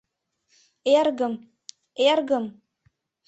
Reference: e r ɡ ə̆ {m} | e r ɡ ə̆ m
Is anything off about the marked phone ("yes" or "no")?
no